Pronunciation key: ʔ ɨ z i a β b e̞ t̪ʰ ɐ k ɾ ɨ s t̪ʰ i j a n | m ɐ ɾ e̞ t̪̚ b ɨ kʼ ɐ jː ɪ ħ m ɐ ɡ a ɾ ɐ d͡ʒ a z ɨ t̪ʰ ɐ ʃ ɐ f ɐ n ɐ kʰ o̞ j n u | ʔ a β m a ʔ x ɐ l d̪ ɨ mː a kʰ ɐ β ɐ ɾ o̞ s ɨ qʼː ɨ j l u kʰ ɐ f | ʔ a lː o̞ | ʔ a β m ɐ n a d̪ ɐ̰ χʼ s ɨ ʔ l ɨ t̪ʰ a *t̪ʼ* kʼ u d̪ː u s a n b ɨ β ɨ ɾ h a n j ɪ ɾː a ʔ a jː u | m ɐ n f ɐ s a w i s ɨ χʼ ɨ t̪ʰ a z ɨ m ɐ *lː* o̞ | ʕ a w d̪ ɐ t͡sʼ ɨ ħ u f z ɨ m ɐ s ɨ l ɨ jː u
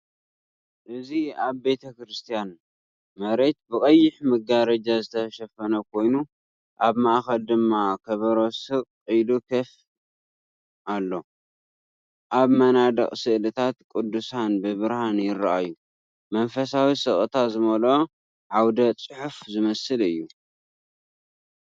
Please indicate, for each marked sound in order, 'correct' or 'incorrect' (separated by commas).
incorrect, incorrect